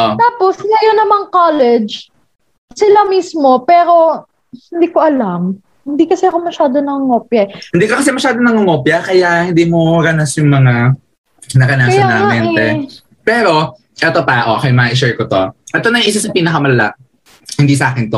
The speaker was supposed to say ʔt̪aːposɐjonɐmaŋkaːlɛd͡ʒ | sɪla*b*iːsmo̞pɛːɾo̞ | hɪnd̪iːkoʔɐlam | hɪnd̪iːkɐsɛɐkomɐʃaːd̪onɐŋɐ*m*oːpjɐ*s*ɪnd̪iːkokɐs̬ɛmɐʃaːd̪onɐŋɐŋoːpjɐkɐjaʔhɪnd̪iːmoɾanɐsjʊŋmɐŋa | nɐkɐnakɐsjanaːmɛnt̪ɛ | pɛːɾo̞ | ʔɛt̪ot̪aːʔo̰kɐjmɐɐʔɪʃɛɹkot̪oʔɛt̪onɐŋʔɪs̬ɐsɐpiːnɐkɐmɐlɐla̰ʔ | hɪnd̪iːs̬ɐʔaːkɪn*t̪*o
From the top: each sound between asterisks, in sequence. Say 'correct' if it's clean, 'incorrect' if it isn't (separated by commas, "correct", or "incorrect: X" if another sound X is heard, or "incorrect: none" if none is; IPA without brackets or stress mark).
incorrect: m, incorrect: ŋ, incorrect: h, correct